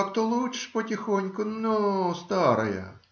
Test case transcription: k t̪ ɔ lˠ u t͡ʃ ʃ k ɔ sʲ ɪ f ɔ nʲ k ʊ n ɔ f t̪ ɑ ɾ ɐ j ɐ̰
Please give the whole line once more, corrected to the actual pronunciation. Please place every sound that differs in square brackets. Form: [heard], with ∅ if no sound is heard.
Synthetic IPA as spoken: k t̪ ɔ lˠ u t͡ʃ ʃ [p] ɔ [tʲ] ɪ [x] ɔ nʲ k ʊ n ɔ [s] t̪ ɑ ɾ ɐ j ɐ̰